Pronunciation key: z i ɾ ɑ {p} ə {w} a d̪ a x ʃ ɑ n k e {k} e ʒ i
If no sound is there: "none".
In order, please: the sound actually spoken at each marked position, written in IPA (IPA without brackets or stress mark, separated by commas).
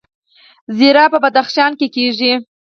p, b, k